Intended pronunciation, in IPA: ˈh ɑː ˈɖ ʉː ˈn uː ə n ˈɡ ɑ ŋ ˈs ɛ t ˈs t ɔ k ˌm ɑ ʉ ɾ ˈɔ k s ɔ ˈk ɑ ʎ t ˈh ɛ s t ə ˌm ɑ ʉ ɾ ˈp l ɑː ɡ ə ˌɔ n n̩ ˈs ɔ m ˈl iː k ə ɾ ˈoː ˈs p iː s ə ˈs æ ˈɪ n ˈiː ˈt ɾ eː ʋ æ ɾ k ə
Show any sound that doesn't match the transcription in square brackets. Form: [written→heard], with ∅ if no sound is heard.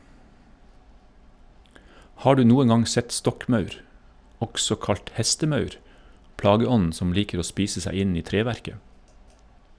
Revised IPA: ˈh ɑː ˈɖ ʉː ˈn uː ə n ˈɡ ɑ ŋ ˈs ɛ t ˈs t ɔ k ˌm ɑ ʉ ɾ ˈɔ k s ɔ ˈk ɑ ʎ t ˈh ɛ s t ə ˌm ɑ ʉ ɾ ˈp l ɑː ɡ ə ˌɔ n n̩ ˈs ɔ m ˈl iː k ə ɾ ˈoː ˈs p iː s ə ˈs æ ˈɪ n ˈiː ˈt ɾ eː ʋ æ ɾ k ə